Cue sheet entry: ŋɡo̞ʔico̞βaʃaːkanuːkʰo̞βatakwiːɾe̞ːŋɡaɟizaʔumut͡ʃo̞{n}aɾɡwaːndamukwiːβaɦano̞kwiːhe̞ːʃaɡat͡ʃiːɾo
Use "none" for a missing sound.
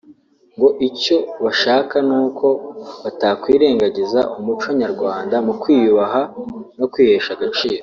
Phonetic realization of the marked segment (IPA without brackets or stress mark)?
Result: ɲ